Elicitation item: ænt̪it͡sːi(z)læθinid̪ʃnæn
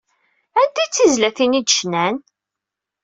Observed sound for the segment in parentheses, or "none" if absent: z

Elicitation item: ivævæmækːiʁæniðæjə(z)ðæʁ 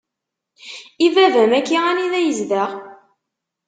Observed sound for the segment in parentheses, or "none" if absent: z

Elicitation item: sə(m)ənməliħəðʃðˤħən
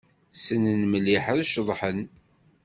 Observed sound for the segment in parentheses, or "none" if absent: n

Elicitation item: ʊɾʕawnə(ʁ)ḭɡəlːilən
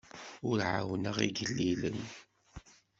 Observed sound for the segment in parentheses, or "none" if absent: ʁ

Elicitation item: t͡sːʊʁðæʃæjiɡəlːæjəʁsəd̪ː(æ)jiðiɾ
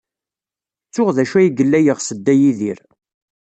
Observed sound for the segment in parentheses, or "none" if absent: æ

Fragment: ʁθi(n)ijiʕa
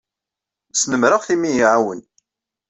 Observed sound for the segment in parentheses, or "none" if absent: m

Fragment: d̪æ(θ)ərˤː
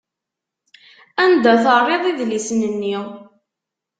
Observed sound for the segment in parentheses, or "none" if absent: θ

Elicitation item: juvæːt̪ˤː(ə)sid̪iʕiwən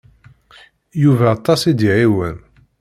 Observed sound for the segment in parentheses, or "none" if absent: ɑ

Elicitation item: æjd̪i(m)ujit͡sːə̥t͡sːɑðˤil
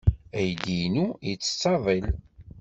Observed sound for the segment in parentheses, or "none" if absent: n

